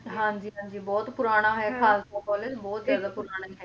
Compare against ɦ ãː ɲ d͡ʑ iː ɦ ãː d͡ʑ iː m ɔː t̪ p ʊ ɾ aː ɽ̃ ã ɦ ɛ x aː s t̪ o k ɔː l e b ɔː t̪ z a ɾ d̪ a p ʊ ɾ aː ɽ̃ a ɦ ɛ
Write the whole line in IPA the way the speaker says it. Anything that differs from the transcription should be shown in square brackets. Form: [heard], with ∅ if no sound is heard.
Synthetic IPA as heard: ɦ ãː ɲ d͡ʑ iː ɦ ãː d͡ʑ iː [b] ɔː t̪ p ʊ ɾ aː ɽ̃ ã ɦ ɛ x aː s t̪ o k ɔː l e b ɔː t̪ z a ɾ d̪ a p ʊ ɾ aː ɽ̃ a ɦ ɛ